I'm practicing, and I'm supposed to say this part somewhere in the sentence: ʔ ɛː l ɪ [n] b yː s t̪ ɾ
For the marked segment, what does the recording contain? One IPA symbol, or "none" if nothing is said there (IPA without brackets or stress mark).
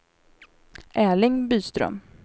ŋ